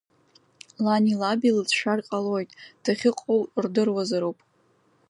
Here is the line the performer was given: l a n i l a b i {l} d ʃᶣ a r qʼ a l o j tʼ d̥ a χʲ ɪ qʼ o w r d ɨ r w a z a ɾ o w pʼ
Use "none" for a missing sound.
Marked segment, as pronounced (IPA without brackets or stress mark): l